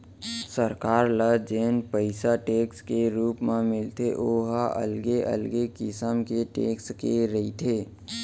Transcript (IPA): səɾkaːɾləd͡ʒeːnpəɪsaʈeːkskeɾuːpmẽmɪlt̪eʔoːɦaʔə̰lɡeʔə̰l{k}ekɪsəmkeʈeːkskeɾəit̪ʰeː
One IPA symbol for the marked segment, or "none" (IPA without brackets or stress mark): ɡ